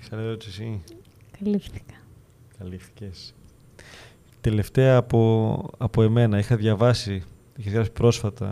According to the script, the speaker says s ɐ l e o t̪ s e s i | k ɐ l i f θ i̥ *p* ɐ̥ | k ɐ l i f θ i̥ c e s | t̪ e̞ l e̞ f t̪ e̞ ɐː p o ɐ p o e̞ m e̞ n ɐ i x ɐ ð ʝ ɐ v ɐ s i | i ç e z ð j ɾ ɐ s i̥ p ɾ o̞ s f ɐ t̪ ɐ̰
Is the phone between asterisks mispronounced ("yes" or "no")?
yes